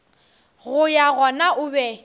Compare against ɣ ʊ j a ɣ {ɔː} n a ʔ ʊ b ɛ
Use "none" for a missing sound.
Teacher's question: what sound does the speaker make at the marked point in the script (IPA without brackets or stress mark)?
ɔ